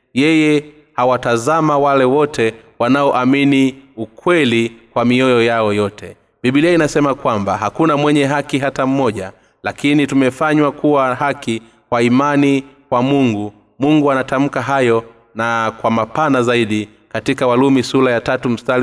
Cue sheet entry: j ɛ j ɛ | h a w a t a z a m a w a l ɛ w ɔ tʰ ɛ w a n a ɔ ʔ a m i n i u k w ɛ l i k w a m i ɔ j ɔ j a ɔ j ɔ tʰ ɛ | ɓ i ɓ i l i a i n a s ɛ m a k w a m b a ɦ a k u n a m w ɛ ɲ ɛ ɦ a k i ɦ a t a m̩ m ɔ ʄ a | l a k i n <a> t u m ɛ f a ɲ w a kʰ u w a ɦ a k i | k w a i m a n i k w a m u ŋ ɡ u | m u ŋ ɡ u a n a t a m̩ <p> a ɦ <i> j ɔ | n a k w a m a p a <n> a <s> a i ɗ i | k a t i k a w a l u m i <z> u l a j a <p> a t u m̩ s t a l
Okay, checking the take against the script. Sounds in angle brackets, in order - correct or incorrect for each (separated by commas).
incorrect, incorrect, incorrect, correct, incorrect, incorrect, incorrect